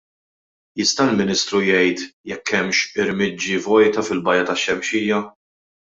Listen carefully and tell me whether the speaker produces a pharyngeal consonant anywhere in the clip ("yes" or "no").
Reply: no